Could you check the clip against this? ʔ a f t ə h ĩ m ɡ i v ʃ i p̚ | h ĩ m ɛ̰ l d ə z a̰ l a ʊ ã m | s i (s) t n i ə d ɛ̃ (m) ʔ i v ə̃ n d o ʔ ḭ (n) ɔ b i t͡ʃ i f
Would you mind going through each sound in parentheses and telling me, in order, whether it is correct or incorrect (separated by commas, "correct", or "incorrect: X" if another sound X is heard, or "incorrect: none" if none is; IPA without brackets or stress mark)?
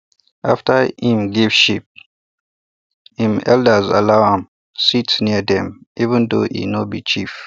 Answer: incorrect: none, correct, correct